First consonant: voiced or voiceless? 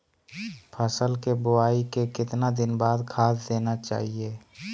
voiceless